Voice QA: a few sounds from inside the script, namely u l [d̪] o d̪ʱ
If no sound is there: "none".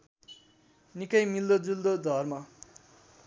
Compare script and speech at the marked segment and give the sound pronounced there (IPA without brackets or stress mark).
d̪